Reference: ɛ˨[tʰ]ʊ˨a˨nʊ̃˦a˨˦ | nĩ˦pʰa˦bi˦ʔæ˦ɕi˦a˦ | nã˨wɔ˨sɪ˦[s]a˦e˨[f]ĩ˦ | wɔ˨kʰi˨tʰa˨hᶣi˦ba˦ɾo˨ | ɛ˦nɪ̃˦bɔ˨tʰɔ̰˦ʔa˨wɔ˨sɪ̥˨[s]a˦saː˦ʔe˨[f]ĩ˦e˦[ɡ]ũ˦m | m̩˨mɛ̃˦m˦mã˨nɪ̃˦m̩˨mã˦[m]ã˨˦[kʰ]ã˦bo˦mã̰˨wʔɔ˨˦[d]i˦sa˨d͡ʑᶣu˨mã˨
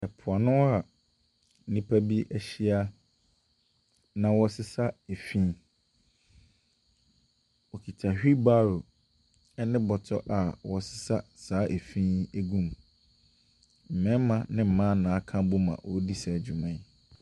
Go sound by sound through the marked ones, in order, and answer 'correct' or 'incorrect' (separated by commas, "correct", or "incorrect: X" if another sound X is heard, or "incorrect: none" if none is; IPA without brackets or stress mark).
incorrect: pʰ, correct, correct, correct, correct, correct, incorrect: n, correct, correct